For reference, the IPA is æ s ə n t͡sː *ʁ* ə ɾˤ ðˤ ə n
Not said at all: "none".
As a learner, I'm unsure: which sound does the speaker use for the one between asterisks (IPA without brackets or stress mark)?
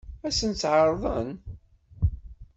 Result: ʕ